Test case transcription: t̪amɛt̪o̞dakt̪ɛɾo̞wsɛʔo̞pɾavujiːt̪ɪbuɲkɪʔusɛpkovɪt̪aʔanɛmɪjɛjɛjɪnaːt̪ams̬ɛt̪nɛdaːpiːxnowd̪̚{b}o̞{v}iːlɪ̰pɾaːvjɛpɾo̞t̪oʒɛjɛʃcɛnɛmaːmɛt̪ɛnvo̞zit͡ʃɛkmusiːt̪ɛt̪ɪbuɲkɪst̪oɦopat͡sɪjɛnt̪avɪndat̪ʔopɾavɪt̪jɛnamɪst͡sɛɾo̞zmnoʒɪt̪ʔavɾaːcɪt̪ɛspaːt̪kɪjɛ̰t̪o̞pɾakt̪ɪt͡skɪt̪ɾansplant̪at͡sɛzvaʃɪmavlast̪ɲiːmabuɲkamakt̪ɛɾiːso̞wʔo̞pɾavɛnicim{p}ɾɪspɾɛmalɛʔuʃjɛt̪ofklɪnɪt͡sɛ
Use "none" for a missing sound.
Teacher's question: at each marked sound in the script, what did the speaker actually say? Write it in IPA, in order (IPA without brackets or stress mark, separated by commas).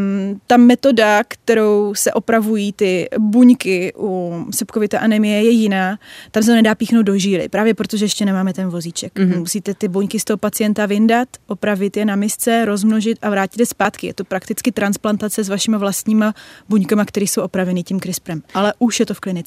d, ʒ, k